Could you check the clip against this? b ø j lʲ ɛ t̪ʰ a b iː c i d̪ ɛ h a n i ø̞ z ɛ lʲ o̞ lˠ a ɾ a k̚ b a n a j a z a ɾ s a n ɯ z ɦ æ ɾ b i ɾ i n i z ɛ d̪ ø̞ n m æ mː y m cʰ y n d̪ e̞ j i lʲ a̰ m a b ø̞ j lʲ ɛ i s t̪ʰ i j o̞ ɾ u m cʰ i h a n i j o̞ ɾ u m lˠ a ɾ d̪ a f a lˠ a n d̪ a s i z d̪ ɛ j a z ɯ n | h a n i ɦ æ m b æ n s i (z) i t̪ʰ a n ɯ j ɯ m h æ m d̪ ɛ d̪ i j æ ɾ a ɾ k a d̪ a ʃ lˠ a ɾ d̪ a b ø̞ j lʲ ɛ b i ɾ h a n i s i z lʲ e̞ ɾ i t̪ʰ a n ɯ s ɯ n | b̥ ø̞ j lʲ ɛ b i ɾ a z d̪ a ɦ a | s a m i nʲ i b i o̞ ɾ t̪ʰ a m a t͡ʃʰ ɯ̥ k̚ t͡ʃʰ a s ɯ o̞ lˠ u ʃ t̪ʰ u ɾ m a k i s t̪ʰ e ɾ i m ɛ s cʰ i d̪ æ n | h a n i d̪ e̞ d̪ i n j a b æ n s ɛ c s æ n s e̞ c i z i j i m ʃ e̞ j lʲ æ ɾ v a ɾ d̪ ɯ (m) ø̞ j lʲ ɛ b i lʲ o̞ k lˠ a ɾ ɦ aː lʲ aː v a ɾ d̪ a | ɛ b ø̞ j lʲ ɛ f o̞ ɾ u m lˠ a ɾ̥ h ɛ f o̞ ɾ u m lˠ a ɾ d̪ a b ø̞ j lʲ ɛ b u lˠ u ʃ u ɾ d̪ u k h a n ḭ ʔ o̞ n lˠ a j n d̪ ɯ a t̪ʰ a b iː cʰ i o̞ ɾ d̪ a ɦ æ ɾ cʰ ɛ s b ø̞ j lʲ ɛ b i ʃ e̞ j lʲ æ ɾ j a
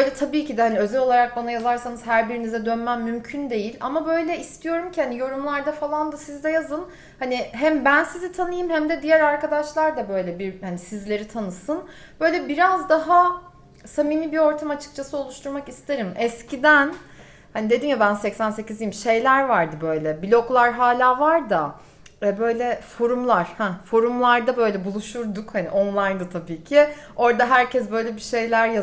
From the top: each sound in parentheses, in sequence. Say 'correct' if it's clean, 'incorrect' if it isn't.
correct, incorrect

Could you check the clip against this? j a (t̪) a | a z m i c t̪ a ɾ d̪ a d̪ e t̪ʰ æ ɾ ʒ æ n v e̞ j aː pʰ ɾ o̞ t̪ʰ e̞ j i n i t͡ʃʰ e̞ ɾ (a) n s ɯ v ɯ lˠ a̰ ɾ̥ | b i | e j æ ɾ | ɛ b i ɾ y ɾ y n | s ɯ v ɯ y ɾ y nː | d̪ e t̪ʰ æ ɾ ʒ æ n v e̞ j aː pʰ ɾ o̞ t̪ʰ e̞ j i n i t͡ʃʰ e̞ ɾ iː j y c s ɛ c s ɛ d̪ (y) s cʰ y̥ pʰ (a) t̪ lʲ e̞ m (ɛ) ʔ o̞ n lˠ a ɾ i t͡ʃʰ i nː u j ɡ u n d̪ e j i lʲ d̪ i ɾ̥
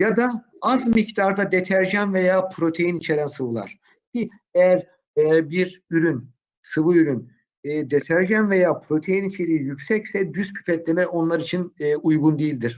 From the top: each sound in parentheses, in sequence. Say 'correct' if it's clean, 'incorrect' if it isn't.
incorrect, incorrect, correct, incorrect, correct

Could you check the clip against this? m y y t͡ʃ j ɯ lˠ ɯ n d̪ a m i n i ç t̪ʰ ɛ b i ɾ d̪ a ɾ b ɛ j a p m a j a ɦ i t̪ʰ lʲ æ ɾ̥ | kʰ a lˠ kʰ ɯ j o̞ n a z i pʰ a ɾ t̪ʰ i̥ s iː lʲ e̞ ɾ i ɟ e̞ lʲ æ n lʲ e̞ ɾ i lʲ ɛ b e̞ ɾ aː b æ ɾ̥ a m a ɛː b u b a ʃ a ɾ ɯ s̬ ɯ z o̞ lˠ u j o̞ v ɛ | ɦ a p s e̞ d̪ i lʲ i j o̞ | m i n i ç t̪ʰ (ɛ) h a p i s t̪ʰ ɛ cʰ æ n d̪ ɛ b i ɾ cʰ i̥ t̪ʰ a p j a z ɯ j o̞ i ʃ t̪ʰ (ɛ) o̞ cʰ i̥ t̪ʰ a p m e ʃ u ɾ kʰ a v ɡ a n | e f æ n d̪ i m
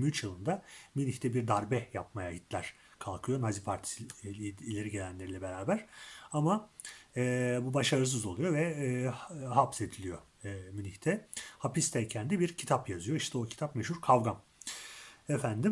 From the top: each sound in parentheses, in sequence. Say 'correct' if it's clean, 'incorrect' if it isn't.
correct, correct

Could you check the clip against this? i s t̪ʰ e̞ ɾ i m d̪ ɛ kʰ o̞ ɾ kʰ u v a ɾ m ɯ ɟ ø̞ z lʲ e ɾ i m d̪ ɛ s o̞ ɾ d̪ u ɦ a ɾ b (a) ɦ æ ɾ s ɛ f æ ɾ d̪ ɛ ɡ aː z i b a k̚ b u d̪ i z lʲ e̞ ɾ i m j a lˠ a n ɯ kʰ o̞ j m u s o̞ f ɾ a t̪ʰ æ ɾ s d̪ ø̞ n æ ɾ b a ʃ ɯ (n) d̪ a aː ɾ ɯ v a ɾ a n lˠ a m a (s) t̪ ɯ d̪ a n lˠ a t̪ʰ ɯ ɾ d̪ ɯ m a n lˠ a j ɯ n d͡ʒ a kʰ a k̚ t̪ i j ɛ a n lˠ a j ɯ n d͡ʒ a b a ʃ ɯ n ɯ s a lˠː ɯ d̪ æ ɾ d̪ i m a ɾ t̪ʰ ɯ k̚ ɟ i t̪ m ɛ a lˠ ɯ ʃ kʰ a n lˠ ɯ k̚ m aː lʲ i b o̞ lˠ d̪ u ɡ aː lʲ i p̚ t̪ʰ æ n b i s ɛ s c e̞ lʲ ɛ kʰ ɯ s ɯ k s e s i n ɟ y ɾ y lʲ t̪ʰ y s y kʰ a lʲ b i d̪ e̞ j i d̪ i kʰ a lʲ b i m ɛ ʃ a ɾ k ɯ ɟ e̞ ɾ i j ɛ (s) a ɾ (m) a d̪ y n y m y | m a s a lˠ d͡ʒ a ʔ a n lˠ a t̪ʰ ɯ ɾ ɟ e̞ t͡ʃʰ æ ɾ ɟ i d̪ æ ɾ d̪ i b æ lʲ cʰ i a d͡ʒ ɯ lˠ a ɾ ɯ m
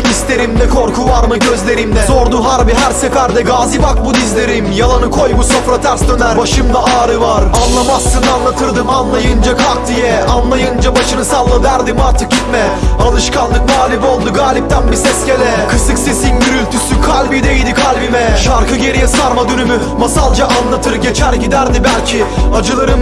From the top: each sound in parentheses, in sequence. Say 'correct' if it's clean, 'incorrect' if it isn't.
incorrect, incorrect, correct, correct, correct

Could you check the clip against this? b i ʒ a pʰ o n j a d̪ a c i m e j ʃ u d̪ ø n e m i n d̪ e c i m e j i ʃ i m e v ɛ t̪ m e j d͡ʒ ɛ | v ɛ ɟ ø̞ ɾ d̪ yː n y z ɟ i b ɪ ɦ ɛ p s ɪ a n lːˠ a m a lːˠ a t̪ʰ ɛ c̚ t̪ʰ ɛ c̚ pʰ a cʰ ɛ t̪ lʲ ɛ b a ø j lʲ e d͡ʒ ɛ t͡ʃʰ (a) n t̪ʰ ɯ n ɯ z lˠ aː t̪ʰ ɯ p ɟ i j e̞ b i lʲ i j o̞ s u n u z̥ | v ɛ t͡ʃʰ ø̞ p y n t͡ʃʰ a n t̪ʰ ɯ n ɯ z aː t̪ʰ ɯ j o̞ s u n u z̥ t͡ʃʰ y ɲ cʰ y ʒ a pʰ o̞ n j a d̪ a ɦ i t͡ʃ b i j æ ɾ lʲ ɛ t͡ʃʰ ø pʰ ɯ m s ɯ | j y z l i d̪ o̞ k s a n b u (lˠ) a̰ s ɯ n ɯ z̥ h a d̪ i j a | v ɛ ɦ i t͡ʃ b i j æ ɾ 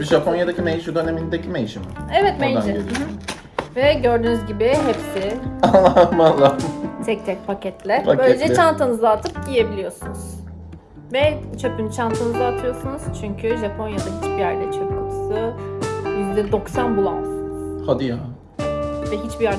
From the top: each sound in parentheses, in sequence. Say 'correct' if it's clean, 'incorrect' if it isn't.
correct, correct

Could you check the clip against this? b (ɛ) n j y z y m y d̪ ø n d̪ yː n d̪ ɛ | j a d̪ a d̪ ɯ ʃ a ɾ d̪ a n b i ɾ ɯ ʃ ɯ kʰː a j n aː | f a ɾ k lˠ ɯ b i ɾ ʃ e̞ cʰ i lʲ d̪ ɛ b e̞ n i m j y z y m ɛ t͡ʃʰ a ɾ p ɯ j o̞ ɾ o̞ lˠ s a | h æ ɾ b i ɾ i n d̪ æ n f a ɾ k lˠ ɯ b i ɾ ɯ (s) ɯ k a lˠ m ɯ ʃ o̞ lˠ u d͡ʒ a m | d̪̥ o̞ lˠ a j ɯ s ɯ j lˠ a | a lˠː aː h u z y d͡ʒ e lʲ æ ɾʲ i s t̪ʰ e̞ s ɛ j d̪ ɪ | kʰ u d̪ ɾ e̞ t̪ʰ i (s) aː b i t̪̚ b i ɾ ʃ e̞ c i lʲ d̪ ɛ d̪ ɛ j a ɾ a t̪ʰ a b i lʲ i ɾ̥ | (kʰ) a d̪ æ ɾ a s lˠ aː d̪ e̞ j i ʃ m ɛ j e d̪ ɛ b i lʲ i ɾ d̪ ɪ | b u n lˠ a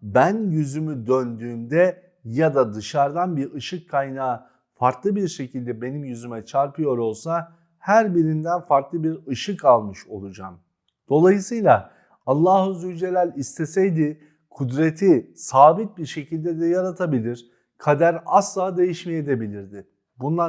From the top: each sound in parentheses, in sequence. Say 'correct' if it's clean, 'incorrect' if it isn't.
incorrect, incorrect, correct, correct

